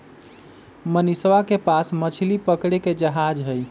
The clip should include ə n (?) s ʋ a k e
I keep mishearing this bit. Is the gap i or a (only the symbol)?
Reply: i